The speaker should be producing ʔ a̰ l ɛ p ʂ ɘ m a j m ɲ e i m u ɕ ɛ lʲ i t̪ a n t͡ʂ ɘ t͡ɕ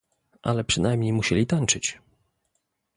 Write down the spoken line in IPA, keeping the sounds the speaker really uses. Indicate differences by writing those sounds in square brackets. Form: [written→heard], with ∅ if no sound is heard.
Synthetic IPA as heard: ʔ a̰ l ɛ p ʂ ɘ [m→n] a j m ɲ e [i→j] m u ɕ ɛ lʲ i t̪ a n t͡ʂ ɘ t͡ɕ